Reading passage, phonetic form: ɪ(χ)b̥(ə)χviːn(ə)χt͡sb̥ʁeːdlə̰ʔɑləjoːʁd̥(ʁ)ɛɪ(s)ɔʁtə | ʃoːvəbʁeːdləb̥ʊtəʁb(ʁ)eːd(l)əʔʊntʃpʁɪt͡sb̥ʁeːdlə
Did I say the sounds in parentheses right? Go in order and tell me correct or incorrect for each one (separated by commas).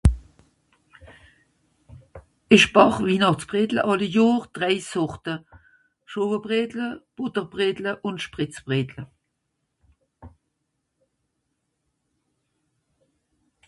incorrect, incorrect, incorrect, correct, correct, correct, correct